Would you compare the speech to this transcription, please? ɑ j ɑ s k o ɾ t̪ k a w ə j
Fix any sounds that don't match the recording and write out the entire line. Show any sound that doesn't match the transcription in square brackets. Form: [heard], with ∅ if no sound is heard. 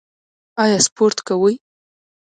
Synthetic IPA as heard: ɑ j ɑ s [p] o ɾ t̪ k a w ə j